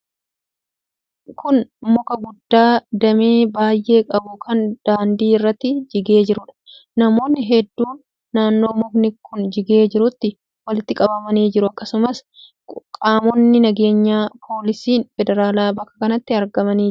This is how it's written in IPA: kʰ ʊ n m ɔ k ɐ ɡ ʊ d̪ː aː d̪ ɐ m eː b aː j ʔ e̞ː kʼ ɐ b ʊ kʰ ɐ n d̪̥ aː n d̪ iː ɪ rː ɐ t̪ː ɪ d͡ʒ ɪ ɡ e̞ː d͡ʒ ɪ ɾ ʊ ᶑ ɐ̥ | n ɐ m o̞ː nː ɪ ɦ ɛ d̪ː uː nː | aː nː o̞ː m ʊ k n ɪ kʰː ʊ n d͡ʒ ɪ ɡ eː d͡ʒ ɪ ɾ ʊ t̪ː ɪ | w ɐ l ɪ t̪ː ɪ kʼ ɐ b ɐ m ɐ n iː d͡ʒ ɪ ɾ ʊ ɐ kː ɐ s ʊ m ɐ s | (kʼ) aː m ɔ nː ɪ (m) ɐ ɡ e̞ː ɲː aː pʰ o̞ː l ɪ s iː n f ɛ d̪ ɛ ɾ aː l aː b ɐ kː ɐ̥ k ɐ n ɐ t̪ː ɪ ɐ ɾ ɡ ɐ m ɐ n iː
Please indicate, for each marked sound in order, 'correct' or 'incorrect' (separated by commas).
correct, incorrect